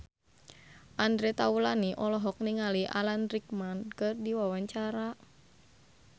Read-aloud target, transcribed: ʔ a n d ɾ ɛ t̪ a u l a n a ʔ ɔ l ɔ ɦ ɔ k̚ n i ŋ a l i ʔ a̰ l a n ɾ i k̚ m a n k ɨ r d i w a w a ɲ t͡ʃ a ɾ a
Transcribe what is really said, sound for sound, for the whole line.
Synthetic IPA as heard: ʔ a n d ɾ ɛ t̪ a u l a n i ʔ ɔ l ɔ ɦ ɔ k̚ n i ŋ a l i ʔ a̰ l a n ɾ i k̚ m a n k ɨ r d i w a w a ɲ t͡ʃ a ɾ a